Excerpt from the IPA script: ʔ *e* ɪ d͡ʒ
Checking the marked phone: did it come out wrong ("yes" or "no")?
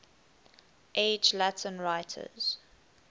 no